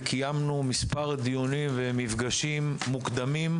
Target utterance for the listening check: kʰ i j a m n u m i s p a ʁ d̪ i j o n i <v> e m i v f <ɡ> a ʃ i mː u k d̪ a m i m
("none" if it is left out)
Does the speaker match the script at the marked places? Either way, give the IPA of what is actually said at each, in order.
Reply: v, ɡ

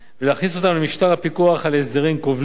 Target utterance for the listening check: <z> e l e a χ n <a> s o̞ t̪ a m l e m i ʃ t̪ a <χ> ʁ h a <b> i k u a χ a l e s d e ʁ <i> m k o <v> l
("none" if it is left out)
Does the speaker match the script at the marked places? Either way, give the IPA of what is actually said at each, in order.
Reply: v, i, none, p, i, v

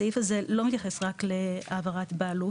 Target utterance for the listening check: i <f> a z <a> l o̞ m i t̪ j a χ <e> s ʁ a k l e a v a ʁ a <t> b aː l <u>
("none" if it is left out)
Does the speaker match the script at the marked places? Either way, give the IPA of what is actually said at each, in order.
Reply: f, e, e, t, u

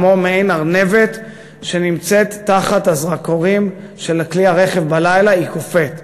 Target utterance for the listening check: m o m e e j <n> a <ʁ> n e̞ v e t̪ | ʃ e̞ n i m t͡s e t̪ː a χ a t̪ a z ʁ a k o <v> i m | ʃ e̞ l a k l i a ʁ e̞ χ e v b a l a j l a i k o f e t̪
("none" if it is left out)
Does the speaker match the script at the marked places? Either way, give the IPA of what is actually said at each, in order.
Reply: n, ʁ, ʁ

